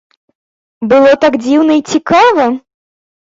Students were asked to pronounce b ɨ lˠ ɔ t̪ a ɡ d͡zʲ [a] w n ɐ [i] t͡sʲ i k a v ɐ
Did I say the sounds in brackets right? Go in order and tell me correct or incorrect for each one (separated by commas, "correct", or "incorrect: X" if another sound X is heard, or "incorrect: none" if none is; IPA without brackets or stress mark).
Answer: incorrect: i, correct